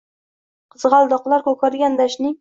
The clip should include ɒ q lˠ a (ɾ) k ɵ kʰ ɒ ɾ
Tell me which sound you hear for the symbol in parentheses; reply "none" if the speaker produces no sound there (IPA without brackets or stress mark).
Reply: ɾ